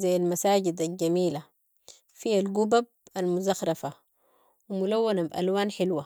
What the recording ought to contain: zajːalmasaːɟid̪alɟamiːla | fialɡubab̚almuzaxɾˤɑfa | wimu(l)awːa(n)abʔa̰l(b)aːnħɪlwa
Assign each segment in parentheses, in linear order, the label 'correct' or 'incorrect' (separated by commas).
correct, correct, incorrect